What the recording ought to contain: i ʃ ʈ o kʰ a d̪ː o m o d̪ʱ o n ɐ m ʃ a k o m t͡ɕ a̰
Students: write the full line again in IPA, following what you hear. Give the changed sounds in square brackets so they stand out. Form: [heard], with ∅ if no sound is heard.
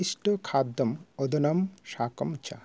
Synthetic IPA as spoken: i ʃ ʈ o kʰ a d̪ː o m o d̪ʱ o n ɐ m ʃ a k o m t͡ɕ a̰